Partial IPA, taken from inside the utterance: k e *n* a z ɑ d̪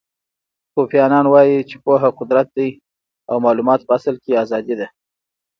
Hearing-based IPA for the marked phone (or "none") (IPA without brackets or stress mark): none